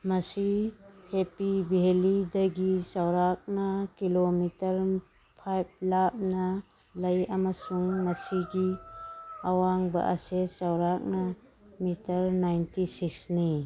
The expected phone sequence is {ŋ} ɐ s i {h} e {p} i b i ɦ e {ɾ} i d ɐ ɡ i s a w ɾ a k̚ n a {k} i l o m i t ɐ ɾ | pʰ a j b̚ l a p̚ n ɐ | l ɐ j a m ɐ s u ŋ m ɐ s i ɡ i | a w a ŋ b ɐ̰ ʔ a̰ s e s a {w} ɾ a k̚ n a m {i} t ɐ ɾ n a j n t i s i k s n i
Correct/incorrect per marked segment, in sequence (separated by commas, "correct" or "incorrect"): incorrect, correct, correct, incorrect, correct, correct, correct